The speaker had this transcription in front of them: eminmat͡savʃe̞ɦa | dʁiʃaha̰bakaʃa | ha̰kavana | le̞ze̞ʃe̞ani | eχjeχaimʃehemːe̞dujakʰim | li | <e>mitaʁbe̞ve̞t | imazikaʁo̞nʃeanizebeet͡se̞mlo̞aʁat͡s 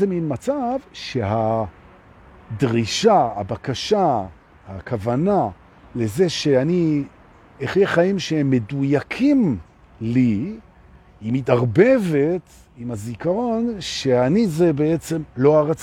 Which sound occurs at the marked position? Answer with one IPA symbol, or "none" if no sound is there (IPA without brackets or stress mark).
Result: i